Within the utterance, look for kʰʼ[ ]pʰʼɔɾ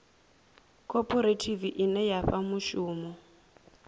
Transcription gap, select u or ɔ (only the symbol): ɔ